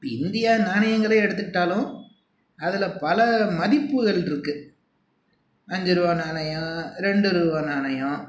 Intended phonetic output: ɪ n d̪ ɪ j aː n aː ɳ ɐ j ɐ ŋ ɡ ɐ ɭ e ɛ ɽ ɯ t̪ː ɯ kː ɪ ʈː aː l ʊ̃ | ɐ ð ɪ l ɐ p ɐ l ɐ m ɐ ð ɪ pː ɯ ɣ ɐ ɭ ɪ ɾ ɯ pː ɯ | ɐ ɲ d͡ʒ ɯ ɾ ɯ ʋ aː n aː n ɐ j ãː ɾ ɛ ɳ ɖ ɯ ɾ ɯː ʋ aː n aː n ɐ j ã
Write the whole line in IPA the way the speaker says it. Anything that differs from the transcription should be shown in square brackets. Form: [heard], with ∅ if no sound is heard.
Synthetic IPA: ɪ n d̪ ɪ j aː n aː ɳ ɐ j ɐ ŋ ɡ ɐ ɭ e ɛ ɽ ɯ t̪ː ɯ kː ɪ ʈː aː l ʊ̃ | ɐ ð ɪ l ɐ p ɐ l ɐ m ɐ ð ɪ pː ɯ ɣ ɐ ɭ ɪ ɾ ɯ [kː] ɯ | ɐ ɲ d͡ʒ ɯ ɾ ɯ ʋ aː n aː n ɐ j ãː ɾ ɛ ɳ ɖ ɯ ɾ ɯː ʋ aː n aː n ɐ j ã